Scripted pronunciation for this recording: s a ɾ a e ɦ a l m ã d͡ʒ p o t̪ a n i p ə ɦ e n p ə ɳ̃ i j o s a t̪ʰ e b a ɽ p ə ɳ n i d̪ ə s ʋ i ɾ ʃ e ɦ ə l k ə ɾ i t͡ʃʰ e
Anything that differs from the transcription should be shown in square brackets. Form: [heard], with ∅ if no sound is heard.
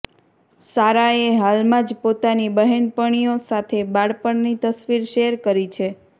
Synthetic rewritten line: s a ɾ a e ɦ a l m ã d͡ʒ p o t̪ a n i [b] ə ɦ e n p ə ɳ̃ i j o s a t̪ʰ e b a ɽ p ə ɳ n i [t̪] ə s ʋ i ɾ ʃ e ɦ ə [ɾ] k ə ɾ i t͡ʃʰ e